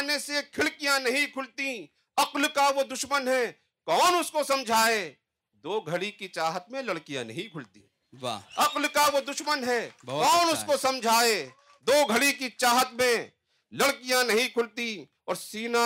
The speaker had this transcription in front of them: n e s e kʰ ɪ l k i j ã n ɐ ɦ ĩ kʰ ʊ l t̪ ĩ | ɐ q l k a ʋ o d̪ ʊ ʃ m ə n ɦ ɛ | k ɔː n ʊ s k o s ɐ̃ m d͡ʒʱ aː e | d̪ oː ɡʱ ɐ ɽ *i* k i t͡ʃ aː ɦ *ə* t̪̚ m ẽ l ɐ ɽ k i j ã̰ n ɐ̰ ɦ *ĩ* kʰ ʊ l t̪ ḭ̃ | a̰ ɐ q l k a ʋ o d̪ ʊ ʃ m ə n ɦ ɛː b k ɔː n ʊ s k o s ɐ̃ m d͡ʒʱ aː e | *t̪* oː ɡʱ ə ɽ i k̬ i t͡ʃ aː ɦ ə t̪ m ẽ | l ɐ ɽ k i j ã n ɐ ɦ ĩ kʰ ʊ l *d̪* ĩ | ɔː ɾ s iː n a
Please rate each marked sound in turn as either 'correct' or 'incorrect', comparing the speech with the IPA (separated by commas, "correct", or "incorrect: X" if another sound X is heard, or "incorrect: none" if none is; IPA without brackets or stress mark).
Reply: correct, correct, correct, incorrect: d̪, incorrect: t̪